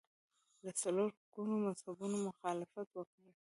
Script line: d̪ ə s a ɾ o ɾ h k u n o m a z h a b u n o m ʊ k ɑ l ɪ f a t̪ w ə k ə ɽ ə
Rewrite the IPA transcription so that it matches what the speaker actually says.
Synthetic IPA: d̪ ə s a l o ɾ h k u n o m a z h a b u n o m ʊ x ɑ l ɪ f a t̪ w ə k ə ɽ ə